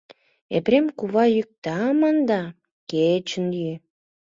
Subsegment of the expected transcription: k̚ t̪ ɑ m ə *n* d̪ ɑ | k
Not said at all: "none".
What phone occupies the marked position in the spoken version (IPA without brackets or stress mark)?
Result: n